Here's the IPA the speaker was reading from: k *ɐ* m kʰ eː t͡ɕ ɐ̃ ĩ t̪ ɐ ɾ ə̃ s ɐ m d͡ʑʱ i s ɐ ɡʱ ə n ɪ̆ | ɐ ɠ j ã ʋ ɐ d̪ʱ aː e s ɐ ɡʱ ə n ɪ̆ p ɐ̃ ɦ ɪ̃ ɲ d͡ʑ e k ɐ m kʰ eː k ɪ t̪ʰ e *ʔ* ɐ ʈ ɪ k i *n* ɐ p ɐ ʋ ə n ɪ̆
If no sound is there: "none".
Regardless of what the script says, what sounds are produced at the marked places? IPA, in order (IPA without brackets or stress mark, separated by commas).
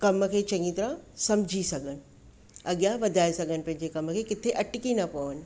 ɐ, ʔ, n